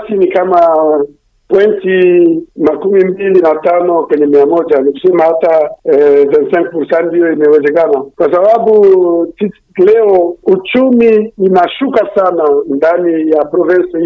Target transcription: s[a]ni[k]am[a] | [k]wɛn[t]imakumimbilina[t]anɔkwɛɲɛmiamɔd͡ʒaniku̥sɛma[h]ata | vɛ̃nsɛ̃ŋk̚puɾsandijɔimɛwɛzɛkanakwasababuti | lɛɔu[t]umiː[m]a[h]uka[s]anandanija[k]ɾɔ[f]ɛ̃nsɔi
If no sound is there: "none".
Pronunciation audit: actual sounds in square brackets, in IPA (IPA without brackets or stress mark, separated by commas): i, k, a, p, t, t, h, t͡ʃ, n, ʃ, s, p, v